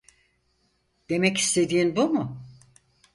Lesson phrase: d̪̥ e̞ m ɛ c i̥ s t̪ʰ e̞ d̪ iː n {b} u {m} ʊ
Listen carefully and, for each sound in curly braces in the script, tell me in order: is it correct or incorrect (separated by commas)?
correct, correct